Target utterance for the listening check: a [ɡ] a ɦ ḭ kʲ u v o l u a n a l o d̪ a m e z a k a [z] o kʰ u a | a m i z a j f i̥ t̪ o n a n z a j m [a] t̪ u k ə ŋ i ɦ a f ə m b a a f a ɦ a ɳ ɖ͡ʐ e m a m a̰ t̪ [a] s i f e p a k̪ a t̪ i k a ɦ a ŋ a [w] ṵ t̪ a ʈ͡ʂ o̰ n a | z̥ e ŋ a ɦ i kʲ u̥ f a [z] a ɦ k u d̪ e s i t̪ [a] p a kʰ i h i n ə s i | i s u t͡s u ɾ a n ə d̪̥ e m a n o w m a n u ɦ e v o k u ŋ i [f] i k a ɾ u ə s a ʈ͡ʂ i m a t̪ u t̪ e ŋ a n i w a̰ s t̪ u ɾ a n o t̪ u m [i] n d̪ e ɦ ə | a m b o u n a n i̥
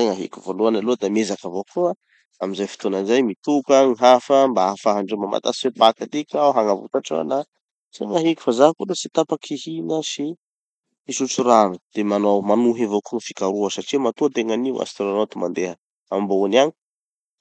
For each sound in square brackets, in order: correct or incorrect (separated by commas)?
incorrect, incorrect, incorrect, correct, incorrect, correct, correct, correct, incorrect